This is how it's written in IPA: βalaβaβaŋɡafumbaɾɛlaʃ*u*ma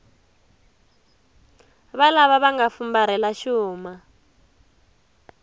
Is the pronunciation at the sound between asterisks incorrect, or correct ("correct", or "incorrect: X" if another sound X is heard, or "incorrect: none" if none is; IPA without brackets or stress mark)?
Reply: incorrect: uː